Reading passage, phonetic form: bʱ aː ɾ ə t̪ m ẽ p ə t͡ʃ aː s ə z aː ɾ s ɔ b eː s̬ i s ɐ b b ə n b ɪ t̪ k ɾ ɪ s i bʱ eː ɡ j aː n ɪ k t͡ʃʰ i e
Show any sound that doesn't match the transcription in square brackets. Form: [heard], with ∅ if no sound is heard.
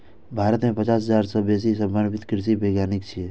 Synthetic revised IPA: bʱ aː ɾ ə t̪ m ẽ p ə t͡ʃ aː s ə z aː ɾ s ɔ b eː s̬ i s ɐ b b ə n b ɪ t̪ k ɾ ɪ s i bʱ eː ɡ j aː n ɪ k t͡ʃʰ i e